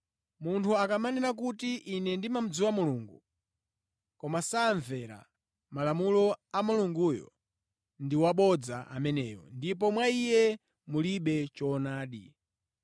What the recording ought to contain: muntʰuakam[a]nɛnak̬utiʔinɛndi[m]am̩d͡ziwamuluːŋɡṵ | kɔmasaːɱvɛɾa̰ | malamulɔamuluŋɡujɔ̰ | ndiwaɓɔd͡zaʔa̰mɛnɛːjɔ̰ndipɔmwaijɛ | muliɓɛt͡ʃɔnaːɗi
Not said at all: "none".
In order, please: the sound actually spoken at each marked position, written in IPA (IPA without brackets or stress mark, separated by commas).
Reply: a, m